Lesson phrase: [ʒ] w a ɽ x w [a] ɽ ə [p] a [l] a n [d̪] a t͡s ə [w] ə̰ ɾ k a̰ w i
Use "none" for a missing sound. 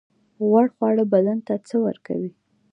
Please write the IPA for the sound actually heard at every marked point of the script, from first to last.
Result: ɣ, ɑ, b, l, t̪, w

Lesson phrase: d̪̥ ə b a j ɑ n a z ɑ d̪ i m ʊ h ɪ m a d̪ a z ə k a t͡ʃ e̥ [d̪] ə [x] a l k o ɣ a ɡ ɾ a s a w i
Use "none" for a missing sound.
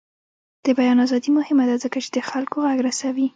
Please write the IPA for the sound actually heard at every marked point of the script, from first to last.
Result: d̪, x

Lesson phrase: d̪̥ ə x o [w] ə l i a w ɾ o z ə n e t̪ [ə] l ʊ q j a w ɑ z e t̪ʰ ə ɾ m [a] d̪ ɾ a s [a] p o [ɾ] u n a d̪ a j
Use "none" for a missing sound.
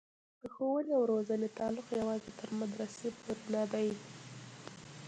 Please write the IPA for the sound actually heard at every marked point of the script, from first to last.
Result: w, ɑ, a, e, ɾ

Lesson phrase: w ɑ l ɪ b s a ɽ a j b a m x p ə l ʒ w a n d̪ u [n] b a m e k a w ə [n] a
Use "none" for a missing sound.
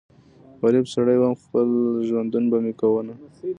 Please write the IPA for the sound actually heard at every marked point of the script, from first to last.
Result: n, n

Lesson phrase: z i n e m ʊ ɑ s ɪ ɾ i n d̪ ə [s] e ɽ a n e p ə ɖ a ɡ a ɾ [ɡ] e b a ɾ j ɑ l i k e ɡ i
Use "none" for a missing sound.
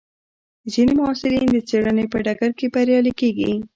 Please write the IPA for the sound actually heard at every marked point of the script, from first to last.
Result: t͡s, k

